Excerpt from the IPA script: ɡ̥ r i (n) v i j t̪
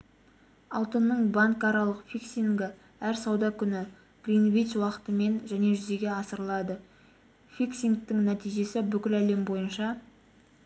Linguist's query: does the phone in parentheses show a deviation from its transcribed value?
no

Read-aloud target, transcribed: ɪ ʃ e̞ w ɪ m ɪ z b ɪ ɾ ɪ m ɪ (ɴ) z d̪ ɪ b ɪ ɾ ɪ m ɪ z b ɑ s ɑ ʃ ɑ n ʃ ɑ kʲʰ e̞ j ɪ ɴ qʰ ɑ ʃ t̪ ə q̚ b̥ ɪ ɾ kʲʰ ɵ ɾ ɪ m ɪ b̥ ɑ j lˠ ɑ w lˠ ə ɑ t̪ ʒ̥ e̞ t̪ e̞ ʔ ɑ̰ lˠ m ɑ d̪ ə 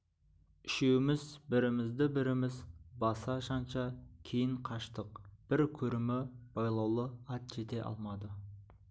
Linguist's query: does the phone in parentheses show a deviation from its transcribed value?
yes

